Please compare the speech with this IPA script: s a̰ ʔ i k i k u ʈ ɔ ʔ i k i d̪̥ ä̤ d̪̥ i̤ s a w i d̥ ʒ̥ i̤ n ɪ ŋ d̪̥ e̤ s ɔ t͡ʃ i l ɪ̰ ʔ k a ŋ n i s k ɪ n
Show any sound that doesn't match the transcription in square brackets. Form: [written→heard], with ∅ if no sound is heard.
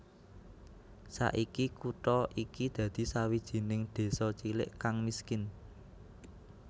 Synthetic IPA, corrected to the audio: s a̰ ʔ i k i k u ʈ ɔ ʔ i k i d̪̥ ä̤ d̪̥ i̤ s a w i d̥ ʒ̥ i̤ n ɪ ŋ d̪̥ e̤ s ɔ t͡ʃ i l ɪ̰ ʔ k a ŋ [n→m] i s k ɪ n